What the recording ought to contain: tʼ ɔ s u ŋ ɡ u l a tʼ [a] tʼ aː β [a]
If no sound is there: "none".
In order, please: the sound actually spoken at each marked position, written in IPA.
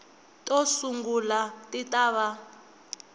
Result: i, a

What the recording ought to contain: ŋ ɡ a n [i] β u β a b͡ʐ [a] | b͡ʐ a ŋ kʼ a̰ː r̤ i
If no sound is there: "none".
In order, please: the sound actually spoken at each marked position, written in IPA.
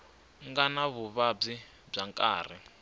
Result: a, i

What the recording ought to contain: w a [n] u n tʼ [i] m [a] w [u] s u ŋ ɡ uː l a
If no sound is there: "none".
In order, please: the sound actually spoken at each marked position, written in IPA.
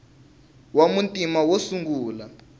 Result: m, i, a, o

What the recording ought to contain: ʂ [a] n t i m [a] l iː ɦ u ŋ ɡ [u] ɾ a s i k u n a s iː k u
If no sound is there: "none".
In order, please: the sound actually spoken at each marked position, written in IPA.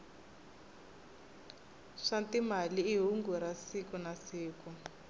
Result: a, a, u

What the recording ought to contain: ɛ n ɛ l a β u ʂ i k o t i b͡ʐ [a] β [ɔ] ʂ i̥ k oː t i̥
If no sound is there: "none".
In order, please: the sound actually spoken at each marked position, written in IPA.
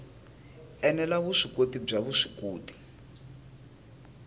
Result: a, u

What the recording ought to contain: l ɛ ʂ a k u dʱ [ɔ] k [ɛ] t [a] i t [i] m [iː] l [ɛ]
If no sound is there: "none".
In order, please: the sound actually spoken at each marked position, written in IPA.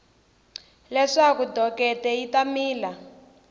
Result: ɔ, ɛ, ɛ, a, iː, a

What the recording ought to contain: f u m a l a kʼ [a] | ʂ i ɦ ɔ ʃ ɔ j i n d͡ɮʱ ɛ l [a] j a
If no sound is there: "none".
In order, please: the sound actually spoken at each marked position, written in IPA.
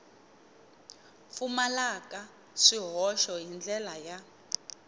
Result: a, a

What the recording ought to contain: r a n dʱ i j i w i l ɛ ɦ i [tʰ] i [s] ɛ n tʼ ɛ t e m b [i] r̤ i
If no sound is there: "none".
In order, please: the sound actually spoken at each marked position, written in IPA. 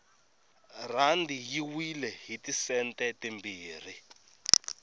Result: t, s, iː

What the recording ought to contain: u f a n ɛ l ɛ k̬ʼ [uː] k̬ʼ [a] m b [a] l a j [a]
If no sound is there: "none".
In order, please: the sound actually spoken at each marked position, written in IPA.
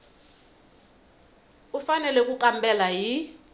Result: u, a, ɛ, i

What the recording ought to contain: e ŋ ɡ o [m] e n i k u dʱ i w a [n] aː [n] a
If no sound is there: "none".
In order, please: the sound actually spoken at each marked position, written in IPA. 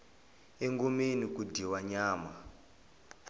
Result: m, ɲ, m

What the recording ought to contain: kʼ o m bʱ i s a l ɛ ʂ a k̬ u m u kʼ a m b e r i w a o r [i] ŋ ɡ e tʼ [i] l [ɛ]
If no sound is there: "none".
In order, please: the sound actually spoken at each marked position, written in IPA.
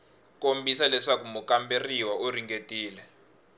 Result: i, iː, ɛ

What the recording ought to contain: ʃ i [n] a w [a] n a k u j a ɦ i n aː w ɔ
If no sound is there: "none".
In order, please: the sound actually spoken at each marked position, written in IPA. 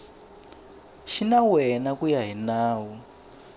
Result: n, ɛ

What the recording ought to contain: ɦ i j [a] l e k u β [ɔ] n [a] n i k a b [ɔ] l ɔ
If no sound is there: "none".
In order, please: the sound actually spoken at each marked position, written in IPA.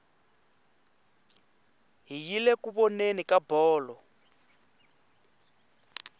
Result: i, ɔ, e, ɔː

